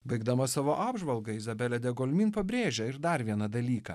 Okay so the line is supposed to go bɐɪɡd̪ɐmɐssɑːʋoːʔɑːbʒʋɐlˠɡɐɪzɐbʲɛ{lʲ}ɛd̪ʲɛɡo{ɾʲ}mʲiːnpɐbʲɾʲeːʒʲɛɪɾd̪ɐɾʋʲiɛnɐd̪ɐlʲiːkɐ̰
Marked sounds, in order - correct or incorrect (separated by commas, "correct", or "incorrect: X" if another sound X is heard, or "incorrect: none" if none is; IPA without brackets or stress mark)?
correct, incorrect: lʲ